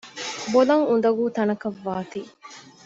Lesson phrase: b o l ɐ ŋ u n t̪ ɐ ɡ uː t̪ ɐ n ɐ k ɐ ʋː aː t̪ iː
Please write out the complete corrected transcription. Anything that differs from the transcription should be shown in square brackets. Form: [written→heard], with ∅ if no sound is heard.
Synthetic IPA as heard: b o l ɐ ŋ u n [t̪→d̪] ɐ ɡ uː t̪ ɐ n ɐ k ɐ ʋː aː t̪ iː